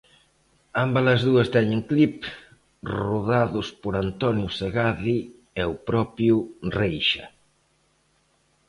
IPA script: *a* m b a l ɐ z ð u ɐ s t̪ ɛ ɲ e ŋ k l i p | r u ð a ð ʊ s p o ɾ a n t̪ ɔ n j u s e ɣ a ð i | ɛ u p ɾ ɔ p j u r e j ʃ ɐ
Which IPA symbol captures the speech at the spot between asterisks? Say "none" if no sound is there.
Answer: a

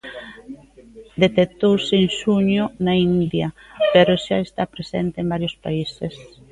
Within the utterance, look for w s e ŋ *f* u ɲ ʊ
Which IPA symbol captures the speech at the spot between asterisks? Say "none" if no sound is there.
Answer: ʃ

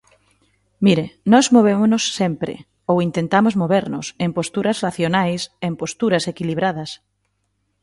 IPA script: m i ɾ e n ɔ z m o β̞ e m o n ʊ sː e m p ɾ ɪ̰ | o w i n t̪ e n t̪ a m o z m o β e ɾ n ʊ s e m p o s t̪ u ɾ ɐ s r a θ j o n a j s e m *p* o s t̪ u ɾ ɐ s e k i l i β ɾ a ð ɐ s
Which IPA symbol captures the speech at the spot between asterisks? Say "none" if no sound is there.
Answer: p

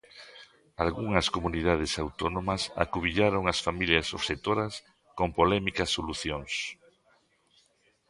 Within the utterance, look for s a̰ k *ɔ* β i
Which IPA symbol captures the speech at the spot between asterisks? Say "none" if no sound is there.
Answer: u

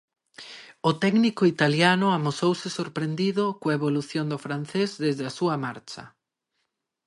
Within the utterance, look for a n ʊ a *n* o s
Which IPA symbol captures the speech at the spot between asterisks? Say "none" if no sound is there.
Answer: m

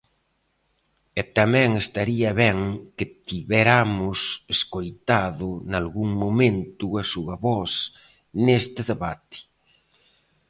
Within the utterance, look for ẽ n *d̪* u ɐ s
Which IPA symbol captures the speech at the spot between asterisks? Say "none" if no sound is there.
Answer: t̪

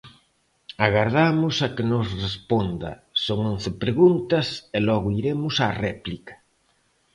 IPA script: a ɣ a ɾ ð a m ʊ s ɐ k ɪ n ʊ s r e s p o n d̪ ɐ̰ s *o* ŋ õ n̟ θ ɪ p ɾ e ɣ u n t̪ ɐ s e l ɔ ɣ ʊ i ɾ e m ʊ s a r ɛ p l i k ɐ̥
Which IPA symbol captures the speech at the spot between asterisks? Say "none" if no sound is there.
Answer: o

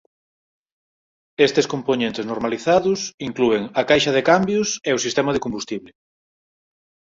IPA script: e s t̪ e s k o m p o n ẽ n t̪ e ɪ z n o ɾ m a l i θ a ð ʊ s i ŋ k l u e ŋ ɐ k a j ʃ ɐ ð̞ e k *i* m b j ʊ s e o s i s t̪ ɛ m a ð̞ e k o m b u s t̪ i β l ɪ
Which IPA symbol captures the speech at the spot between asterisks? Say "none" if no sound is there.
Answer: a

